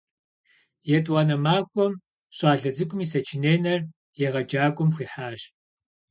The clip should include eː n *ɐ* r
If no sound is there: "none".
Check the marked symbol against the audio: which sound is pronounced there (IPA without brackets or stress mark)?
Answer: ɐ